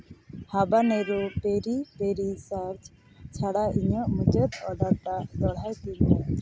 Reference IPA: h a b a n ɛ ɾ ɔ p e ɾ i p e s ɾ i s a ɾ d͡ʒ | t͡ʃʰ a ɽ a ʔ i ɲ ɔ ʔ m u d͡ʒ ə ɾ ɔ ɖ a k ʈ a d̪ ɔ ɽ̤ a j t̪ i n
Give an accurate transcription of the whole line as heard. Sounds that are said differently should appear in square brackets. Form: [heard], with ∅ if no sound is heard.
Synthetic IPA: h a b a n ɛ ɾ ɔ p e ɾ i p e [∅] ɾ i s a ɾ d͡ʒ | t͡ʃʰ a ɽ a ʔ i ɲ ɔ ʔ m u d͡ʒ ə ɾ ɔ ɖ a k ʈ a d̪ ɔ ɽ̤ a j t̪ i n